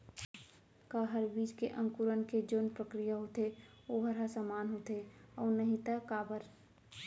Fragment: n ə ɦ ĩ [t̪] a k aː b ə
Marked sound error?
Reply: no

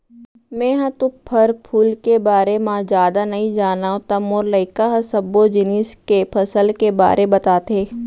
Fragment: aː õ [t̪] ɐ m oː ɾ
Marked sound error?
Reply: no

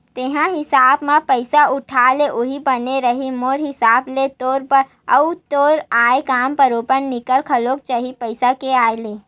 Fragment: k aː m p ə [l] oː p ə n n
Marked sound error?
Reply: yes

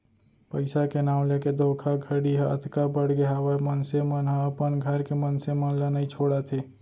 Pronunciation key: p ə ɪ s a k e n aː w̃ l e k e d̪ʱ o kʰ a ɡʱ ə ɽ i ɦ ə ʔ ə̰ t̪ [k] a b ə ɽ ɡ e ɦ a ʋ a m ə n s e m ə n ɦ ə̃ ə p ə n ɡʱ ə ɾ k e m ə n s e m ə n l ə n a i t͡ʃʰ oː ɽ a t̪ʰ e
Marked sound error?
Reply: no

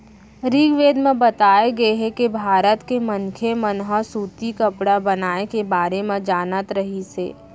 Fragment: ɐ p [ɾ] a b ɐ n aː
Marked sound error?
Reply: yes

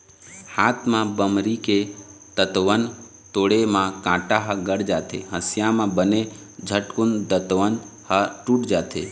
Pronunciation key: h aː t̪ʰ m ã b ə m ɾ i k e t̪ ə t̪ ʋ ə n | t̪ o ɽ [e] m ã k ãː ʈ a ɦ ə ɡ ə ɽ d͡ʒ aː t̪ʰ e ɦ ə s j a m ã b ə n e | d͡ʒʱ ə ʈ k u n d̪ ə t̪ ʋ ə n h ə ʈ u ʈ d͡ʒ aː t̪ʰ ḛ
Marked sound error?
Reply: no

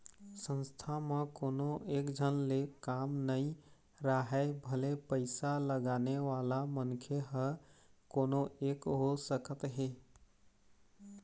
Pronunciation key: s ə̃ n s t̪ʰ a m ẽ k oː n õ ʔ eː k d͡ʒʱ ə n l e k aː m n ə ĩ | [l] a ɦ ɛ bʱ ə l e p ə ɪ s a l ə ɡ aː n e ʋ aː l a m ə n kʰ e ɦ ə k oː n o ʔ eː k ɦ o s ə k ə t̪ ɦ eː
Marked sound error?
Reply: yes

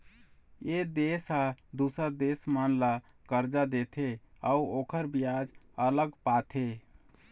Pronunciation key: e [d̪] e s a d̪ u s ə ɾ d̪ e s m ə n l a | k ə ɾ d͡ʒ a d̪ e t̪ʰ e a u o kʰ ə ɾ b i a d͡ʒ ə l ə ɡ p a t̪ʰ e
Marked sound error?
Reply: no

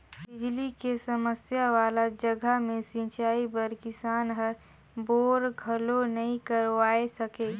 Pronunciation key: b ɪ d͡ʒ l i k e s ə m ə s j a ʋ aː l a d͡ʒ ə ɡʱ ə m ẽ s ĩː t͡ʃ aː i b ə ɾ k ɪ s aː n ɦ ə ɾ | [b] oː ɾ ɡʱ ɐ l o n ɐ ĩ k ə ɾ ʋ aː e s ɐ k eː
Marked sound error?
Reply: no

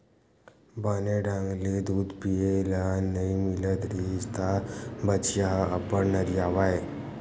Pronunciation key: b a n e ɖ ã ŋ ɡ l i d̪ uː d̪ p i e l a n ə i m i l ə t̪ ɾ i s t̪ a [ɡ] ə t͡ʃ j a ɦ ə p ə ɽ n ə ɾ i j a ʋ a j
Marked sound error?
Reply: yes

